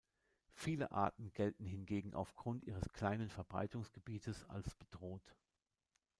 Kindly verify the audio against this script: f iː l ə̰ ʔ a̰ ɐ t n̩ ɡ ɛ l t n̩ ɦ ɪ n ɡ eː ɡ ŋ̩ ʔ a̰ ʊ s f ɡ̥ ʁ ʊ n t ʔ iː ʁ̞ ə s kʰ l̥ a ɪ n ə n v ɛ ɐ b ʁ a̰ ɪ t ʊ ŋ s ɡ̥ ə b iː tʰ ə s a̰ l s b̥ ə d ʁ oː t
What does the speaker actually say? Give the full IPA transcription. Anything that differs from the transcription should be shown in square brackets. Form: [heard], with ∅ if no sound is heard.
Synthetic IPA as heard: f iː l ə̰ ʔ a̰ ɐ t n̩ ɡ ɛ l t n̩ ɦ ɪ n ɡ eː ɡ ŋ̩ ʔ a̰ ʊ [∅] f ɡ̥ ʁ ʊ n t ʔ iː ʁ̞ ə s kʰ l̥ a ɪ n ə n [f] ɛ ɐ b ʁ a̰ ɪ t ʊ ŋ s ɡ̥ ə b iː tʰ ə s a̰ l s b̥ ə d ʁ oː t